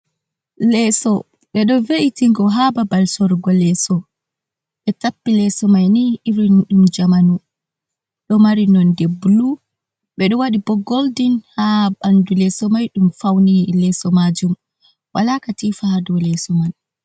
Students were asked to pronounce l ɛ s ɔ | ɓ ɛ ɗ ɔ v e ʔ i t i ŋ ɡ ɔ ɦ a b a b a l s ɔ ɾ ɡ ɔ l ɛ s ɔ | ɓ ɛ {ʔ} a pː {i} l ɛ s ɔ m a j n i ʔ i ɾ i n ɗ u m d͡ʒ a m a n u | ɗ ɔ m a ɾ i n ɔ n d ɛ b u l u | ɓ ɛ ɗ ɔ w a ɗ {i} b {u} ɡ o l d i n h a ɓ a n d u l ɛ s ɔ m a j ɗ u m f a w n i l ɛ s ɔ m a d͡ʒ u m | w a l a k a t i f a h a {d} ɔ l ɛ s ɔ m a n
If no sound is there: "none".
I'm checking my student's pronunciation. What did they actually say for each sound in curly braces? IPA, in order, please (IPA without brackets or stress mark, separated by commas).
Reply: t, i, i, ɔ, d